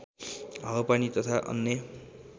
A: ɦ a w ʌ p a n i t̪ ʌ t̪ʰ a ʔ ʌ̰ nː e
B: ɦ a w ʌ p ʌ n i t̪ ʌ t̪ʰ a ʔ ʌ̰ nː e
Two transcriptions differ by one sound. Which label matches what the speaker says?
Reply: A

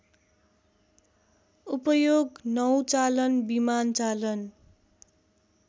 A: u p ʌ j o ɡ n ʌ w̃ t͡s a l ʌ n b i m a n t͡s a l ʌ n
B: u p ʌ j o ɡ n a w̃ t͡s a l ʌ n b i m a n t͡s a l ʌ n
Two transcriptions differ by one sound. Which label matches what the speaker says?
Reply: A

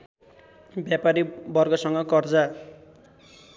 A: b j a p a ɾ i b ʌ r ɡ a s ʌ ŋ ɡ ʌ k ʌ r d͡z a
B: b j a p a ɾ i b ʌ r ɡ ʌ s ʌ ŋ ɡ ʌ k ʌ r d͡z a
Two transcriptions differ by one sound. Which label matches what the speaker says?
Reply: B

